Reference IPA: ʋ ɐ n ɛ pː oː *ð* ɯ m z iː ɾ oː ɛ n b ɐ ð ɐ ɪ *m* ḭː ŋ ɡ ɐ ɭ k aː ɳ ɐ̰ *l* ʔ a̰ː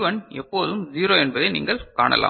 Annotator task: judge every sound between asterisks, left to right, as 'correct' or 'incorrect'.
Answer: correct, incorrect: n, correct

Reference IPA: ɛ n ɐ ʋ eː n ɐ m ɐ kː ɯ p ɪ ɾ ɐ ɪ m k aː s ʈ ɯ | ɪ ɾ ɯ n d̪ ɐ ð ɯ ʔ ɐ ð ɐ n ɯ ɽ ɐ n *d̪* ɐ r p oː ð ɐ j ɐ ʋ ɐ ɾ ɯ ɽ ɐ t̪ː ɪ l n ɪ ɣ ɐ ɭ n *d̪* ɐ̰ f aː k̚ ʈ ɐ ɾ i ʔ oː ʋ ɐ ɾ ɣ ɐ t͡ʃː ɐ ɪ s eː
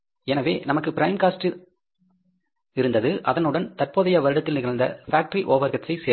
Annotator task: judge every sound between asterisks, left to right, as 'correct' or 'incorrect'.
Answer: incorrect: t̪, correct

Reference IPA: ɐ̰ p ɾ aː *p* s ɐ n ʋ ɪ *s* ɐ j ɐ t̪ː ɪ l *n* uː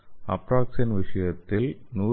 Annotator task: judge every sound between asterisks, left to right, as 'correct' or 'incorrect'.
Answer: incorrect: k, incorrect: ʂ, correct

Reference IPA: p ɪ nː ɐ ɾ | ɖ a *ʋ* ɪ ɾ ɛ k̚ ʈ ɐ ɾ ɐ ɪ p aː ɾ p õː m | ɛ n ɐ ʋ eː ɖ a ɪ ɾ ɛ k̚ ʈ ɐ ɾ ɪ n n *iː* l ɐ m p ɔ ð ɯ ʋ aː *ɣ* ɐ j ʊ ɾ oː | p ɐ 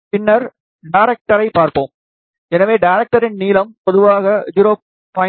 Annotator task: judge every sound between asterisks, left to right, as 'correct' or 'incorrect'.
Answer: incorrect: none, correct, correct

